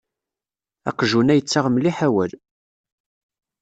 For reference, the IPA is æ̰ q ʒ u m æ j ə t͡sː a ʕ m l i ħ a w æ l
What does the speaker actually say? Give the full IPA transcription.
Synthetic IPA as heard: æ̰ q ʒ u n æ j ə t͡sː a ʁ m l i ħ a w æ l